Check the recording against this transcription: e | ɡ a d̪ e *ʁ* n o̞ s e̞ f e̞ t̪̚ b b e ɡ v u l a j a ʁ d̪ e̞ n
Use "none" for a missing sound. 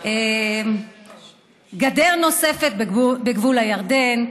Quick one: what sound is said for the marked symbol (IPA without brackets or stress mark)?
ʁ